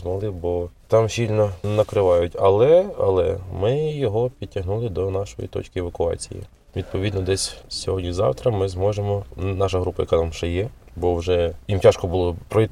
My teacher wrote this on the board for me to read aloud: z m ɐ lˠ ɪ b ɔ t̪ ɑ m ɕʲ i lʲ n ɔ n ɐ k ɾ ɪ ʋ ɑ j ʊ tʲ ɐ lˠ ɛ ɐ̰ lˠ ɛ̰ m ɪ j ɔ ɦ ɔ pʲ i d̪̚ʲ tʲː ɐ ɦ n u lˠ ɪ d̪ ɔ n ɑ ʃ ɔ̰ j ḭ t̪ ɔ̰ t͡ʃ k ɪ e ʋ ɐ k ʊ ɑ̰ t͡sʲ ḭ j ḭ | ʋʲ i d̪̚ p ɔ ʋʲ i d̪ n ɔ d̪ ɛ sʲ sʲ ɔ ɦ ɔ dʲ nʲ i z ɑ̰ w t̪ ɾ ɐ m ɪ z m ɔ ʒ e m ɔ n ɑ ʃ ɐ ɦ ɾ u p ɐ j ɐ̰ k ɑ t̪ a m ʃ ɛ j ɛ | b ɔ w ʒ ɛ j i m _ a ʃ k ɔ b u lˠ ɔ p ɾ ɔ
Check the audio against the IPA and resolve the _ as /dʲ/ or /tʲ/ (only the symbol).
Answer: tʲ